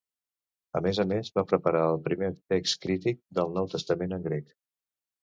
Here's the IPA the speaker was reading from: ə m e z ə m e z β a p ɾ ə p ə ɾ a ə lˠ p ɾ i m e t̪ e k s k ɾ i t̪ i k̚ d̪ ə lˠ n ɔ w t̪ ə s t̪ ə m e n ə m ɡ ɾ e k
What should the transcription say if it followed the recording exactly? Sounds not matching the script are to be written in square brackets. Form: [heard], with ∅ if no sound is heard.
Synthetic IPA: ə m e z ə m e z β a p ɾ ə p ə ɾ a ə lˠ p ɾ i m e t̪ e k s k ɾ i t̪ i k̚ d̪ ə lˠ n ɔ w t̪ ə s t̪ ə m e n ə [ŋ] ɡ ɾ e k